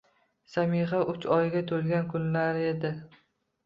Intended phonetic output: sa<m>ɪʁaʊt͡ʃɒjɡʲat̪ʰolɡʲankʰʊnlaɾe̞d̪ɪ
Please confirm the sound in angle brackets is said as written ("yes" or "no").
yes